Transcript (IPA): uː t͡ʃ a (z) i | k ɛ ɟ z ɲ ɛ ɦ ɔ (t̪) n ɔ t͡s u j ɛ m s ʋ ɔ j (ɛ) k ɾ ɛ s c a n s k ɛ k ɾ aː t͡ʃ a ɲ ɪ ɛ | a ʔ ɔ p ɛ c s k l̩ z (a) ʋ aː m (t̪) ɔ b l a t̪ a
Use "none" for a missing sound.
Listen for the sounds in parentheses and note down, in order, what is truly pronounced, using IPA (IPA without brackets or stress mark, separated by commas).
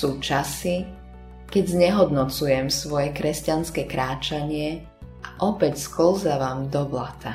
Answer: s, d̪, ɛ, a, d̪